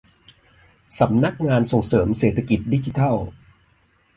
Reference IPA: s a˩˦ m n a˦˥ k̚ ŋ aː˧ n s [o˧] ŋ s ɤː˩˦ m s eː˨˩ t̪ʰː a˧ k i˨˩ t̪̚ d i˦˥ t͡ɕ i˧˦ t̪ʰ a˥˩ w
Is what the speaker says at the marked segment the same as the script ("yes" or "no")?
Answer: no